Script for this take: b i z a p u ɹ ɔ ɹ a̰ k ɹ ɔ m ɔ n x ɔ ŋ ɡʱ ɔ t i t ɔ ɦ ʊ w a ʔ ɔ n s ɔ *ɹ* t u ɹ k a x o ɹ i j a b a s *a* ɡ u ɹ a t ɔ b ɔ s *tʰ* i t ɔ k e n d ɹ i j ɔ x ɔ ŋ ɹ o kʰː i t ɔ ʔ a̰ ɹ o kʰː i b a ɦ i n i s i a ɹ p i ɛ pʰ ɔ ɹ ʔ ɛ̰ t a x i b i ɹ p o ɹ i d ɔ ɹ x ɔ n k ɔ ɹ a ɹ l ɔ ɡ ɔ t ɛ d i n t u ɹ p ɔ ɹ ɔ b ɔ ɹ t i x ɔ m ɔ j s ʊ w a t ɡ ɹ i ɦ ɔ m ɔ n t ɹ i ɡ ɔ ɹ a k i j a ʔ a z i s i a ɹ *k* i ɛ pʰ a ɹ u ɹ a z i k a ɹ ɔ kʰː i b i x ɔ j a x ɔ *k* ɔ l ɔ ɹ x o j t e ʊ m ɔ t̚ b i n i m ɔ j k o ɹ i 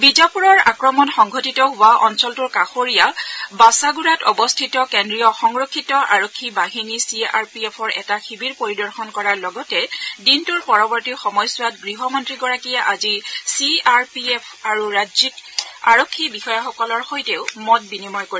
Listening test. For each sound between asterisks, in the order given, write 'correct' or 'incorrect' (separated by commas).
incorrect, correct, correct, incorrect, correct